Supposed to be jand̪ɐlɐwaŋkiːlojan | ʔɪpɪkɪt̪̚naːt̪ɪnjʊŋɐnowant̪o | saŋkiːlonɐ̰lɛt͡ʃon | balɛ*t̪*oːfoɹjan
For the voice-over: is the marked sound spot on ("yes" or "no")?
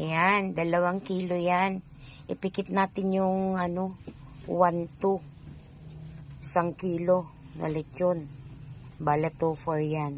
yes